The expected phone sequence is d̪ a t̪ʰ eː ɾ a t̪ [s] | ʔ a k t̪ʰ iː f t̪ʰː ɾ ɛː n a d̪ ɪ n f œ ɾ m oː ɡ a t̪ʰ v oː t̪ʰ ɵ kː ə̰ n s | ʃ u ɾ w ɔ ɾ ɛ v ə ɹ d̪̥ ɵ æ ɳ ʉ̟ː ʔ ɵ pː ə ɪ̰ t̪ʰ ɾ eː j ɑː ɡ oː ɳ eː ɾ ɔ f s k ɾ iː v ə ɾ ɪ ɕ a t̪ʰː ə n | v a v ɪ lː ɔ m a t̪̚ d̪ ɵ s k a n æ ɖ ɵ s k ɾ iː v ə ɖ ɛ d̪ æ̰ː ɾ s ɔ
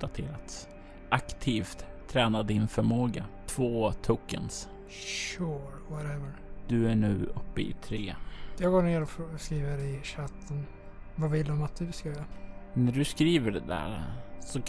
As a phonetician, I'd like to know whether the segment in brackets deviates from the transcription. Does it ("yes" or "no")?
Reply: no